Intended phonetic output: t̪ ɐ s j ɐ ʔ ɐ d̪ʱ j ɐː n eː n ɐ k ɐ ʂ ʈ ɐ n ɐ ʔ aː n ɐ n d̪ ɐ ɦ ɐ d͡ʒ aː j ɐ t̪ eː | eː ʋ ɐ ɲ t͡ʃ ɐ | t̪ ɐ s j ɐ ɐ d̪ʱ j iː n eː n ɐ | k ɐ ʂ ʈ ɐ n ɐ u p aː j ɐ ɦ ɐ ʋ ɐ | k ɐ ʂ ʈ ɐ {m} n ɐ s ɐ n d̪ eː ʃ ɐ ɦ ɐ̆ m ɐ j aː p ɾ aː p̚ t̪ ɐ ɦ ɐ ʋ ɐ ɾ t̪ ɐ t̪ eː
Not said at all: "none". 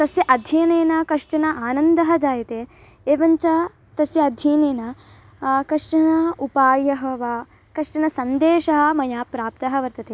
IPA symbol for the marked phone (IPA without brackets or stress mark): none